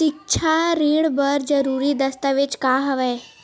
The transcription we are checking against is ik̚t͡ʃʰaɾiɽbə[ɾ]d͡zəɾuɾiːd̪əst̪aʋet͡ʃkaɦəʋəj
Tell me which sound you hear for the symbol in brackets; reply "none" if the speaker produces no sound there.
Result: ɾ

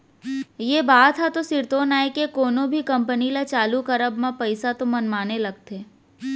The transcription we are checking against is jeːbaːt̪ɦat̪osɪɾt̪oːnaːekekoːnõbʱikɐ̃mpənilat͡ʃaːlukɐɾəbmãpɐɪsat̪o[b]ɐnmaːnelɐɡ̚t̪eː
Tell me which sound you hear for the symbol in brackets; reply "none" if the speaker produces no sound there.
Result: m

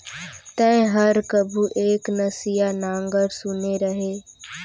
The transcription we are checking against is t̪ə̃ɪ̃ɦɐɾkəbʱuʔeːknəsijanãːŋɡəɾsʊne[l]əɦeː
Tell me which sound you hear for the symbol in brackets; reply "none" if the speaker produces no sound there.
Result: ɾ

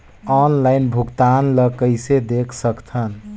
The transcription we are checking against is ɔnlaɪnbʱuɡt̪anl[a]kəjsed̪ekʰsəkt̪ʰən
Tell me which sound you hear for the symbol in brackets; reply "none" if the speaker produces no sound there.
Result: ə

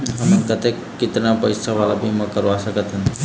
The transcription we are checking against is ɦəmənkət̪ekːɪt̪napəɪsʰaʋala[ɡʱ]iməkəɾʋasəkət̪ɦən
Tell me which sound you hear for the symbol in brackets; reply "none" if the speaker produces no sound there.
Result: bʱ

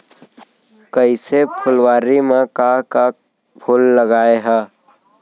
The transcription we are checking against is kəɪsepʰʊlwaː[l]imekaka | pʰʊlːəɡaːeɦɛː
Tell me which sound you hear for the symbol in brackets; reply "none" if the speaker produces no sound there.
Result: ɾ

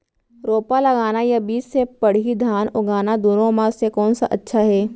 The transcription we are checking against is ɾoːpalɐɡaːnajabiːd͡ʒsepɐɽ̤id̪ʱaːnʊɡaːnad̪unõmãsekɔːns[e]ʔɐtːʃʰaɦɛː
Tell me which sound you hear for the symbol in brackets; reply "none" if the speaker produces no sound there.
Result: a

